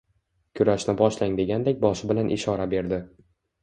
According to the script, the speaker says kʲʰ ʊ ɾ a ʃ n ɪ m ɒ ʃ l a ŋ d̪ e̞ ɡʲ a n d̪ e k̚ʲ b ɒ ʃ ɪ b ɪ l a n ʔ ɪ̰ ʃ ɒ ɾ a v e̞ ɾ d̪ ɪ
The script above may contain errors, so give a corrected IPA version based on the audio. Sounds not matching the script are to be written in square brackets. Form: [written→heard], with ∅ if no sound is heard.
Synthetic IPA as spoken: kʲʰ ʊ ɾ a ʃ n ɪ [m→b] ɒ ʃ l a ŋ d̪ e̞ ɡʲ a n d̪ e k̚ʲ b ɒ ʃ ɪ b ɪ l a n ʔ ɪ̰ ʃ ɒ ɾ a [v→b] e̞ ɾ d̪ ɪ